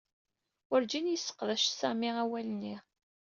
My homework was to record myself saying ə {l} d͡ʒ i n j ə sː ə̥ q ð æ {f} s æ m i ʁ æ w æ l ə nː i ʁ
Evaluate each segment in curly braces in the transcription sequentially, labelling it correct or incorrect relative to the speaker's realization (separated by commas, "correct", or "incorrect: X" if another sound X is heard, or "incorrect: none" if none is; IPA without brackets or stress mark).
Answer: incorrect: ɾ, incorrect: ʃ